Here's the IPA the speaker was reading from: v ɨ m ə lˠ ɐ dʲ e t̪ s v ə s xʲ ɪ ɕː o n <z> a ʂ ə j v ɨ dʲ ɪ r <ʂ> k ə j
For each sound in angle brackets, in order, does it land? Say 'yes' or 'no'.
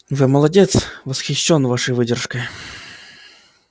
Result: no, yes

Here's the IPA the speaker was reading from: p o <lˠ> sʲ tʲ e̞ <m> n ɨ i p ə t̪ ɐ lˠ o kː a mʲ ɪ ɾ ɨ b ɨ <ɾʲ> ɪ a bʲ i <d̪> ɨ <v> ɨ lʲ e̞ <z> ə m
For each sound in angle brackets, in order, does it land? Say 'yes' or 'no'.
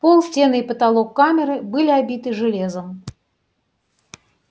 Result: yes, no, no, no, no, yes

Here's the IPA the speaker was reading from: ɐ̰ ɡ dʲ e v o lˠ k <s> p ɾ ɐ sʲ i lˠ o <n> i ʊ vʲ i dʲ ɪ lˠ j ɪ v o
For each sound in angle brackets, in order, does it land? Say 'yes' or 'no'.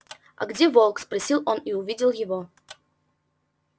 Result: yes, yes

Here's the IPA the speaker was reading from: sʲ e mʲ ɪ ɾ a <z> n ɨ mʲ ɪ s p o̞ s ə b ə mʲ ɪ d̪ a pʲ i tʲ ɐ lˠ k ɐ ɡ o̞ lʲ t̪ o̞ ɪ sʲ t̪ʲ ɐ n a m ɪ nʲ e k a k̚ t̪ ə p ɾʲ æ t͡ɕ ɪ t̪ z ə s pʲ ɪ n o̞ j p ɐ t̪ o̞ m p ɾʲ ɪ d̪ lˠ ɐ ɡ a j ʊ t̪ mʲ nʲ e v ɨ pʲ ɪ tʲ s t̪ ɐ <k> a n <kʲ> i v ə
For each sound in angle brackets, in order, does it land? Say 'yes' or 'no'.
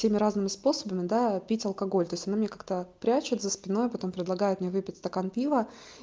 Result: yes, yes, no

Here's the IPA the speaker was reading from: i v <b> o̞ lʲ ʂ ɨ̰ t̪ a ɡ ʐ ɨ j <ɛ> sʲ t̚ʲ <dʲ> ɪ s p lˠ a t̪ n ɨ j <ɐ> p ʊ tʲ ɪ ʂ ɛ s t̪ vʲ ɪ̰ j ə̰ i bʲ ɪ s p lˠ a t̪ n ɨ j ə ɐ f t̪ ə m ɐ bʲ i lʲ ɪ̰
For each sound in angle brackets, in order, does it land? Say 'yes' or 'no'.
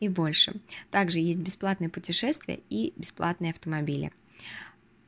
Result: yes, no, no, no

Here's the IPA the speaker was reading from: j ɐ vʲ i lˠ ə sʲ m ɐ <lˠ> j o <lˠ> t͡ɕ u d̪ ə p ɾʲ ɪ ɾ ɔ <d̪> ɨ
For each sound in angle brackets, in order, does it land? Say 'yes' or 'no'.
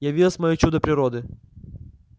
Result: no, no, yes

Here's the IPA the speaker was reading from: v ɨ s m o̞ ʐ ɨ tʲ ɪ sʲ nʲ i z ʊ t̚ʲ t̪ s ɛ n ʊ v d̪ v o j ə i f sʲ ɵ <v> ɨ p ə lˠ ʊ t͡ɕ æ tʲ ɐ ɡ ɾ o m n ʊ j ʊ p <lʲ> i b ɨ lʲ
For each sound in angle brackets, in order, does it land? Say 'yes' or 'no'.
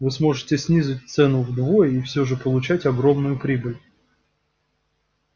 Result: no, no

